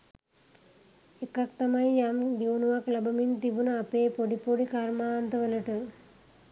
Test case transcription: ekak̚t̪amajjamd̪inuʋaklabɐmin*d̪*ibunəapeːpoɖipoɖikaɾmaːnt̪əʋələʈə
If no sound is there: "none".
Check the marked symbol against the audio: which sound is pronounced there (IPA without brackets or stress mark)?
t̪